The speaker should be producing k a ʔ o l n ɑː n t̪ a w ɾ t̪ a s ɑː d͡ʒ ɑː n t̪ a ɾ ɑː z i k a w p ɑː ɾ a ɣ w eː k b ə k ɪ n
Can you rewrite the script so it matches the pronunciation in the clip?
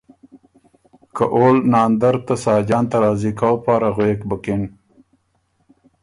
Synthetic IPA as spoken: k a ʔ o l n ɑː n d̪ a ɾ t̪ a s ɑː d͡ʒ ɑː n t̪ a ɾ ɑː z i k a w p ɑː ɾ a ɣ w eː k b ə k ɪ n